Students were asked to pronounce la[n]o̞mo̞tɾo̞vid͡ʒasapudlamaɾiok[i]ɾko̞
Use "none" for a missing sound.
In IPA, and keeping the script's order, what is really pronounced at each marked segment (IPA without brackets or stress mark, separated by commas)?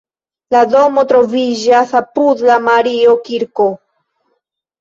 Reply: d, i